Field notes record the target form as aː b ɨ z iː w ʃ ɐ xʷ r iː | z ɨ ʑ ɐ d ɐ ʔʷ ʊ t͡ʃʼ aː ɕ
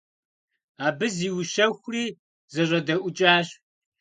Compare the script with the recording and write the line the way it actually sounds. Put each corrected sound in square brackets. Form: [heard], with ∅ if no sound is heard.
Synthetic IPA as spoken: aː b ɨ z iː w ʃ ɐ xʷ r iː | z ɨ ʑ ɐ d ɐ ʔʷ ʊ t͡ʃʼ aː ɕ